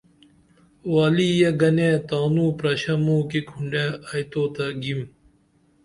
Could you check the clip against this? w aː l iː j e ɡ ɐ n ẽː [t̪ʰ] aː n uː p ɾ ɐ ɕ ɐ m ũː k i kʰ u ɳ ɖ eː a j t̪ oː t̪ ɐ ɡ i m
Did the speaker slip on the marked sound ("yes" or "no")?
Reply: yes